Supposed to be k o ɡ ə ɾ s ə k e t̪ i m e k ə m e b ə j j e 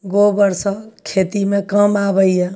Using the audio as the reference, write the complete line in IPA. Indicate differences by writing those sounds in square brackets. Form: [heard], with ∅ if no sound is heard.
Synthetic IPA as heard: [ɡ] o [b] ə ɾ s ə [kʰ] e t̪ i m e k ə m [a] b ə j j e